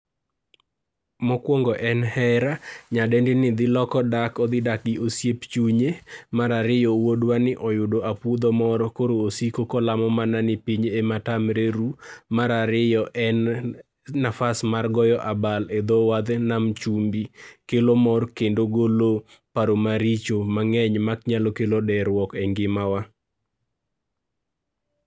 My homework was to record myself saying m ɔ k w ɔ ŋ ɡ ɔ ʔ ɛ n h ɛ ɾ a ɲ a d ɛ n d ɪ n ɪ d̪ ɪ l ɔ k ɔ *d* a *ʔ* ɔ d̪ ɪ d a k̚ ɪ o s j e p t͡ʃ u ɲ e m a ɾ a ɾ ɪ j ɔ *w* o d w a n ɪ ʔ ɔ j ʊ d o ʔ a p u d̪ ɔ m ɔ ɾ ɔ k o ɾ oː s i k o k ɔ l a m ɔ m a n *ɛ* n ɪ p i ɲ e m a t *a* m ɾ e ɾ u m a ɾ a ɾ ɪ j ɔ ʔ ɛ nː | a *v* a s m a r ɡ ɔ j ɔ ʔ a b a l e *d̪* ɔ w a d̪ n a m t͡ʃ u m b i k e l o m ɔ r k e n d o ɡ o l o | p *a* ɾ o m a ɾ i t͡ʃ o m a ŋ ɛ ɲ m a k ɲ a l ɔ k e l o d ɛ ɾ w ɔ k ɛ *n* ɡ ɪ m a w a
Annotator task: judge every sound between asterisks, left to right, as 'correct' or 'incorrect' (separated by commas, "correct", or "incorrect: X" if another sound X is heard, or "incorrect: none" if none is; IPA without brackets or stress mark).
correct, incorrect: k, correct, incorrect: a, correct, incorrect: f, correct, correct, incorrect: ŋ